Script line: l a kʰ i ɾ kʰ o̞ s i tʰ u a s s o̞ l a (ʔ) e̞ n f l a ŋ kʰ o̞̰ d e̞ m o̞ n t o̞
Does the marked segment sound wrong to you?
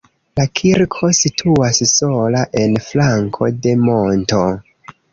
no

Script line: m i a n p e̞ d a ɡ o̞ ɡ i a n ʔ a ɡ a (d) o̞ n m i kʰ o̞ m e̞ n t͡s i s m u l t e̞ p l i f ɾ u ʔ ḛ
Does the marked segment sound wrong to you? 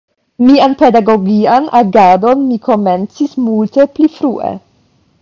no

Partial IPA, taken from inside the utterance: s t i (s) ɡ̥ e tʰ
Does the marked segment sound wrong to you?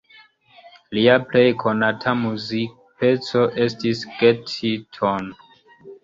no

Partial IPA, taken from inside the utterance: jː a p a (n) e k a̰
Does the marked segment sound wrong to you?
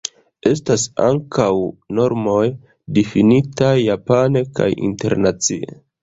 no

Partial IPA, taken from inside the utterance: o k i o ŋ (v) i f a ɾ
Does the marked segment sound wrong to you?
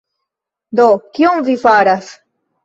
no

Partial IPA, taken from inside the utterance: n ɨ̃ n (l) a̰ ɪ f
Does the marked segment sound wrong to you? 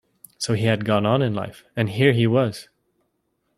no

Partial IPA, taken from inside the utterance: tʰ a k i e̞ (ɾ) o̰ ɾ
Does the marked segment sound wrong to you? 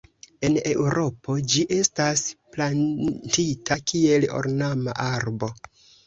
yes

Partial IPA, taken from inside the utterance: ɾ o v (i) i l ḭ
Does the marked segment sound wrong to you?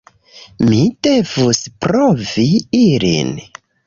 no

